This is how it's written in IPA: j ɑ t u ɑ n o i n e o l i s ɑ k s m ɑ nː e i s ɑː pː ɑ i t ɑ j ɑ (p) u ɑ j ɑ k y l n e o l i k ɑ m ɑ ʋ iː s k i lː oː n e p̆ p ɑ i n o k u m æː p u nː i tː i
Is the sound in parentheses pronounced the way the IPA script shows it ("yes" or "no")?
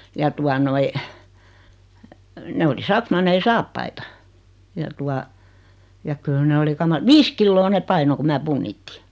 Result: no